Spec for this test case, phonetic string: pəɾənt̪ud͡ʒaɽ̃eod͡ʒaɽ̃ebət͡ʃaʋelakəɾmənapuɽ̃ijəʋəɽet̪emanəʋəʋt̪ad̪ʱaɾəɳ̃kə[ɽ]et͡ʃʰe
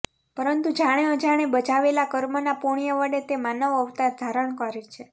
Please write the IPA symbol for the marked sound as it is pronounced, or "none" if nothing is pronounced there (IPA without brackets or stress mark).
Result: ɾ